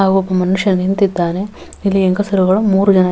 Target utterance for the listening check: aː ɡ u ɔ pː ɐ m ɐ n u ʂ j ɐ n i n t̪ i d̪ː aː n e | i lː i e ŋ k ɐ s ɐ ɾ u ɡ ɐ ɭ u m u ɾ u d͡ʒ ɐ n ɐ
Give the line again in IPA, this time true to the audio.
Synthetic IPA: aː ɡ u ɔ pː ɐ m ɐ n u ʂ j ɐ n i n t̪ i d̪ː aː n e | i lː i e ŋ k ɐ s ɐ ɾ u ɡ ɐ ɭ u m uː ɾ u d͡ʒ ɐ n ɐ